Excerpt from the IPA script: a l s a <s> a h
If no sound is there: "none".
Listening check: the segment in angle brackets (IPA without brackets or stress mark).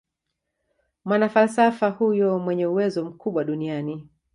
f